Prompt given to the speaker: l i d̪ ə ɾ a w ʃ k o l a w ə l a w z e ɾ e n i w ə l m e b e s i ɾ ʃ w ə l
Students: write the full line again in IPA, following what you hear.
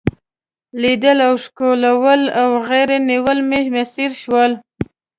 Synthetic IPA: l i d̪ ə l a w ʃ k o l a w ə l a w ɣ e ɾ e n i w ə l m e m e s i ɾ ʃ w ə l